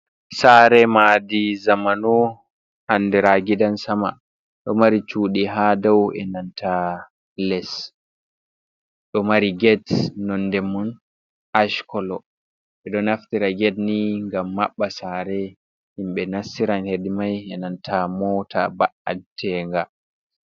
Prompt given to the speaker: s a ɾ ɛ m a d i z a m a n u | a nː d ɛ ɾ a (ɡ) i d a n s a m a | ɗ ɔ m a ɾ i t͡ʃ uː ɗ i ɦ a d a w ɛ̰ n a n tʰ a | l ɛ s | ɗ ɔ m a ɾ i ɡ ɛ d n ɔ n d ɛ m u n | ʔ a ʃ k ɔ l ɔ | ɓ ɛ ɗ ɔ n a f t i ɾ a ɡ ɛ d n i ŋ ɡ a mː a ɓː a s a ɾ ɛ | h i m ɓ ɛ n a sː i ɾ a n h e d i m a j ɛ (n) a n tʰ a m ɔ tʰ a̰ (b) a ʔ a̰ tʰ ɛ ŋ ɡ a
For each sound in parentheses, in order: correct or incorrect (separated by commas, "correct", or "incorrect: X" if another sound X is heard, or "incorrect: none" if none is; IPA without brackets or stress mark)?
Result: correct, correct, correct